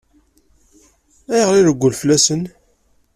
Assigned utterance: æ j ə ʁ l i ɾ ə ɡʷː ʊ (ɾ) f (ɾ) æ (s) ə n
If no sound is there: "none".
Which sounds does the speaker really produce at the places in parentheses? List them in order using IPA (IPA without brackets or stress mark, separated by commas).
l, l, s